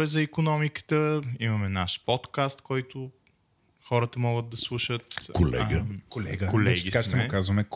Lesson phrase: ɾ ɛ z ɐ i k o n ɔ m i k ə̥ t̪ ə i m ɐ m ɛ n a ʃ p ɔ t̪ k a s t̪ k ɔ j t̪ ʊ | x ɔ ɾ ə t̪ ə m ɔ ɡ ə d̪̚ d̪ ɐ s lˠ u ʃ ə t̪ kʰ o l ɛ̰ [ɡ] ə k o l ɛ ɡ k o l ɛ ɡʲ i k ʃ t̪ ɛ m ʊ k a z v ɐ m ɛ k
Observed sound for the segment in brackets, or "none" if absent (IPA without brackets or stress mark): ɡ